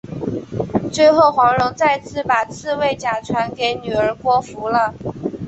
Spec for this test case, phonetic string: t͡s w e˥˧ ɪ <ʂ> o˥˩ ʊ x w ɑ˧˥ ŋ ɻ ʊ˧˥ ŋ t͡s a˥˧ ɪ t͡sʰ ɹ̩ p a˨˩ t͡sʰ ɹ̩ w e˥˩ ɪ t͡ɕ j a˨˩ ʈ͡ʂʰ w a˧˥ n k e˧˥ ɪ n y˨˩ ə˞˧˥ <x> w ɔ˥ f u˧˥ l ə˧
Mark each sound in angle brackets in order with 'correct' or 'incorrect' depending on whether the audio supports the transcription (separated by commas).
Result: incorrect, incorrect